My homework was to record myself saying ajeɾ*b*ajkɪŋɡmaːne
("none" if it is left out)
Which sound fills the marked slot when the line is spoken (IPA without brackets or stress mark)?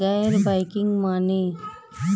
b